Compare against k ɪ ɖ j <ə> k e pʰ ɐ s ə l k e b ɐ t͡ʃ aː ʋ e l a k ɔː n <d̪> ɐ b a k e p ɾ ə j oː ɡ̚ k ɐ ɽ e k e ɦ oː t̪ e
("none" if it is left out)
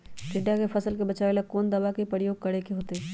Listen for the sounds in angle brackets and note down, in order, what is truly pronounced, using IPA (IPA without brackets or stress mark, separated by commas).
a, d̪